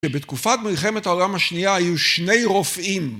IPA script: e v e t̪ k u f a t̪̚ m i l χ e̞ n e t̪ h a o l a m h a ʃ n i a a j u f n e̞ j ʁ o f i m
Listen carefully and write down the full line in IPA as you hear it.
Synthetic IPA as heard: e b e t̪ k u f a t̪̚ m i l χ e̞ m e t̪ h a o l a m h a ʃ n i a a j u ʃ n e̞ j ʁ o f i m